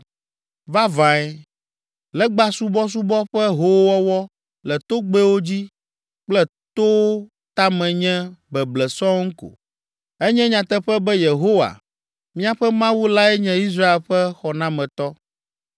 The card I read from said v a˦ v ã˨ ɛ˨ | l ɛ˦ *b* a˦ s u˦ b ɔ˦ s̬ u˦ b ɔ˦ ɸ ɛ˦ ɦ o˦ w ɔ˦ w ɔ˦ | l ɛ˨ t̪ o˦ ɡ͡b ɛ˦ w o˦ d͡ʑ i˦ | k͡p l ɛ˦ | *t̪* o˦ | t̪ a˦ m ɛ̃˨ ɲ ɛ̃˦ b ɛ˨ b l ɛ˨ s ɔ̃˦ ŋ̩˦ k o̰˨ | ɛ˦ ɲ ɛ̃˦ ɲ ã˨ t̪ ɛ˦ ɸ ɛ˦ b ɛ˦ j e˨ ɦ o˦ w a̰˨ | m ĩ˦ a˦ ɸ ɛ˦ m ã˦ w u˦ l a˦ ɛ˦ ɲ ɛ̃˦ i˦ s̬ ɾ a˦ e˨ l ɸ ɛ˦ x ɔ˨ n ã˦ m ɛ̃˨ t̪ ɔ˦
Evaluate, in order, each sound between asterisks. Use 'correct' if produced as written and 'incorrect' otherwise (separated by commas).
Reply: incorrect, correct